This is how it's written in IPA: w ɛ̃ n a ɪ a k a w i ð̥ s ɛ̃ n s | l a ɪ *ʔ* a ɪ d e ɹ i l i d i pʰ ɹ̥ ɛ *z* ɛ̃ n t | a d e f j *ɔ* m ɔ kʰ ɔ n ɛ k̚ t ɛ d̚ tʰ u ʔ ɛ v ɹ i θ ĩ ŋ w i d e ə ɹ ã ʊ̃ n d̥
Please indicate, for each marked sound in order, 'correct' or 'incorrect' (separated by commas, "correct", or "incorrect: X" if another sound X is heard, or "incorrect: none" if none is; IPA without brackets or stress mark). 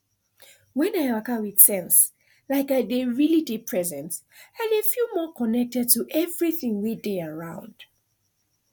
incorrect: k, correct, incorrect: u